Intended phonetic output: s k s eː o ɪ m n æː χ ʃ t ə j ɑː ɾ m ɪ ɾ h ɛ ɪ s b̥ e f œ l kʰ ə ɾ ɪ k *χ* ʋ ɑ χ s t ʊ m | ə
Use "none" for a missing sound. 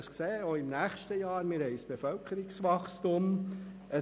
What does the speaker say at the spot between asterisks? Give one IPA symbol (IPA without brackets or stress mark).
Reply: s